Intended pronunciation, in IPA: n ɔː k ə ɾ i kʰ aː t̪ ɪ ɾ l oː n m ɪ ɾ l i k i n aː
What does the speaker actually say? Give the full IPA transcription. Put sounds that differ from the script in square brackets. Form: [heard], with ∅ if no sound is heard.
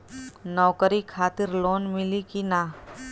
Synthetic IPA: n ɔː k ə ɾ i kʰ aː t̪ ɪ ɾ l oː n m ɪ [∅] l i k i n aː